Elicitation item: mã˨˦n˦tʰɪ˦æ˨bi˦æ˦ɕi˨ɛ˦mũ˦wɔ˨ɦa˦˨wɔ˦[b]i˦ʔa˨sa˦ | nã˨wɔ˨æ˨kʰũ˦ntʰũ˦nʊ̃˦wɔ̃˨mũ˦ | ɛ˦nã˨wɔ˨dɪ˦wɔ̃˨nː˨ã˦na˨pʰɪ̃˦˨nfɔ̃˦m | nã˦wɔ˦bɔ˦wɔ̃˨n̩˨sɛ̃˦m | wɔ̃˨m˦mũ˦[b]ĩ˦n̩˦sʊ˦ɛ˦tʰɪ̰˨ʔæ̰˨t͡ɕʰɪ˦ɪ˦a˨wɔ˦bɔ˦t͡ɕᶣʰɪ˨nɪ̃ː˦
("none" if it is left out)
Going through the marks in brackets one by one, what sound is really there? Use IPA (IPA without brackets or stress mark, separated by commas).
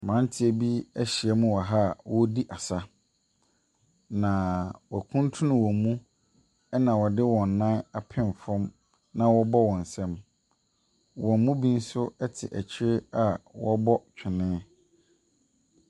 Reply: d, b